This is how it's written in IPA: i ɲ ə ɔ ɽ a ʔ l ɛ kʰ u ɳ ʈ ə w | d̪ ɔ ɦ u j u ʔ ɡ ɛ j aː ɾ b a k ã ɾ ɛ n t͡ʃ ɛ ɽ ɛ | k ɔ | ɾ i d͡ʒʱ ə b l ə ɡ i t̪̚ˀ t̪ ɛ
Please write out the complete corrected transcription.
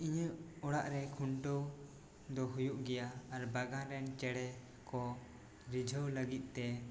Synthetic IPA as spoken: i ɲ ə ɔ ɽ a ʔ ɾ ɛ kʰ u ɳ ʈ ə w | d̪ ɔ ɦ u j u ʔ ɡ ɛ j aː ɾ b a ɡ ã ɾ ɛ n t͡ʃ ɛ ɽ ɛ | k ɔ | ɾ i d͡ʒʱ ə w l ə ɡ i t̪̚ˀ t̪ ɛ